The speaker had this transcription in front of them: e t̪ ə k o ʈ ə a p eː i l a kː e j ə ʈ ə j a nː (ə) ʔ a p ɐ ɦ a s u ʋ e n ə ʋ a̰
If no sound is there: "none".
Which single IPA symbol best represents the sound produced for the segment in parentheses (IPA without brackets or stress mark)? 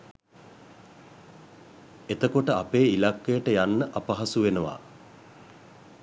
ə